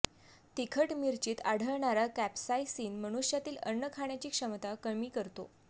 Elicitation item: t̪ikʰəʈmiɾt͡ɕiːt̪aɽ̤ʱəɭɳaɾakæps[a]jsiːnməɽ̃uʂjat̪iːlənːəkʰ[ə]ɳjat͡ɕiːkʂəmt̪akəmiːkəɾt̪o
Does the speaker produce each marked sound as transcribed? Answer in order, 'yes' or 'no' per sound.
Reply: yes, no

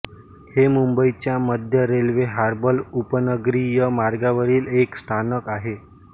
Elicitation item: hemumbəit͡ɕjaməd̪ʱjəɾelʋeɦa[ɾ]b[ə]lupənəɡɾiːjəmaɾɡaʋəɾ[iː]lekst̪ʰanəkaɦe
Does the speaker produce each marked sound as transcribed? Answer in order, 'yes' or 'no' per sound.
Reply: yes, yes, yes

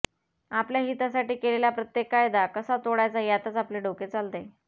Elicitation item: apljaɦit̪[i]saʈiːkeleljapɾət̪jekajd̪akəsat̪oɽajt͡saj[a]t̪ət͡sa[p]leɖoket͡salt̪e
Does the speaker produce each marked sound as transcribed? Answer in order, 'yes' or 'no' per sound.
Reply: no, yes, yes

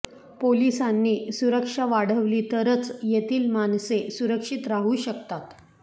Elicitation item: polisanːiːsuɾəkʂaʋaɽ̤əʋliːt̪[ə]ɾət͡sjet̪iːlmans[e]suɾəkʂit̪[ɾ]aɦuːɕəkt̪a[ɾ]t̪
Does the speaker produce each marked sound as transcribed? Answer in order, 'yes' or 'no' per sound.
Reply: yes, yes, yes, no

